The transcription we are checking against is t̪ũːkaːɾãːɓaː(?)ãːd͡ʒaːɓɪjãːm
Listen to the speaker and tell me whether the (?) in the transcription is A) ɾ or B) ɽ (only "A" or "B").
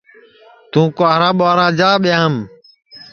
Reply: A